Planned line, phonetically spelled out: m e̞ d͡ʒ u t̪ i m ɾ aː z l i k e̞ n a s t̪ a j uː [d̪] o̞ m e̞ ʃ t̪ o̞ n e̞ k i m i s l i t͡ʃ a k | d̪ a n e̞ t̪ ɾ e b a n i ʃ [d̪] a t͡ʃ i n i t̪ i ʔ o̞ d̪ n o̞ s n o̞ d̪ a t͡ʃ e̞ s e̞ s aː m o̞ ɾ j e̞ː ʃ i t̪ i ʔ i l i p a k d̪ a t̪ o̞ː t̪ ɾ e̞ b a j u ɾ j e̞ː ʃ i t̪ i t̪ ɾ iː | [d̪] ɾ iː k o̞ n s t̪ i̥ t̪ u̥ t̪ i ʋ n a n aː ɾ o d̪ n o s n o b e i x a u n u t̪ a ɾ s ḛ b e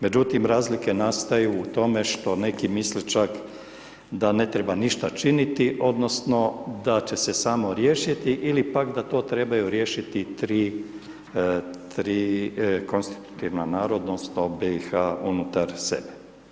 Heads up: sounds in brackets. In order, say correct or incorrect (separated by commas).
incorrect, incorrect, incorrect